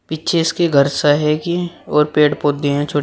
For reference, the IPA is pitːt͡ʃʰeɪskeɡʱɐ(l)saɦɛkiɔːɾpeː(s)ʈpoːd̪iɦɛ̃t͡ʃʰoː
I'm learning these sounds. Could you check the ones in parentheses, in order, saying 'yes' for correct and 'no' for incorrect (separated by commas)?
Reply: no, no